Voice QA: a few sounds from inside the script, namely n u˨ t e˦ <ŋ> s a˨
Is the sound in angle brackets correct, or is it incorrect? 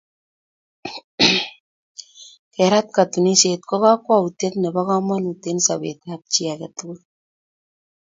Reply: incorrect: n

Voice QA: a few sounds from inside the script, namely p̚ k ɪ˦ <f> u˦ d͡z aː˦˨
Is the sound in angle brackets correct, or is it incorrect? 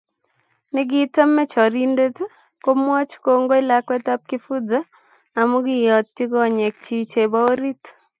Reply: correct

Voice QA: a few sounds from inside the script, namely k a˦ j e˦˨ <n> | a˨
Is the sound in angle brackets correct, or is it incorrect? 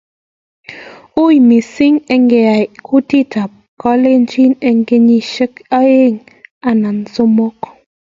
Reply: incorrect: ŋ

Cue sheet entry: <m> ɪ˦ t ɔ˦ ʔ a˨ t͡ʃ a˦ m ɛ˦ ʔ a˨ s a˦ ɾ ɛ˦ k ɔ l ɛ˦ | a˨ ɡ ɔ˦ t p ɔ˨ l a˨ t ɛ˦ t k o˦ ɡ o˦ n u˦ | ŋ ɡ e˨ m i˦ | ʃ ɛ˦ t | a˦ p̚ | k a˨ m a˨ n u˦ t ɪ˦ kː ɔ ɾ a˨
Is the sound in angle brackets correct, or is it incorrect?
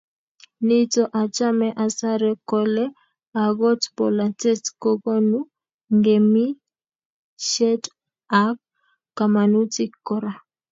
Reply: incorrect: n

